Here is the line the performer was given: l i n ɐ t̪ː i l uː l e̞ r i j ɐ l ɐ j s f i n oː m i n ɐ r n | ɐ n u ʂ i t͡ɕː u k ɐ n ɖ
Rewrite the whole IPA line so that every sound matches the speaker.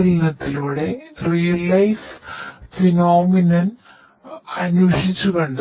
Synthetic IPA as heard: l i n ɐ t̪ː i l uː ɽ e̞ r i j ɐ l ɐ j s f i n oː m i n ɐ n | ɐ n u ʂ i t͡ɕː u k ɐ ɳ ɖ